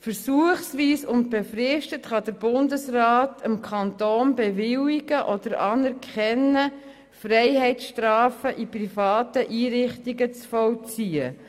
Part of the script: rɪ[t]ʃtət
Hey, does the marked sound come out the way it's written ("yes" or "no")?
no